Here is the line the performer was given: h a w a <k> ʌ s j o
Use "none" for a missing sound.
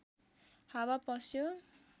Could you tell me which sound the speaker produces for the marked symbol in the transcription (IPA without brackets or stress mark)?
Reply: p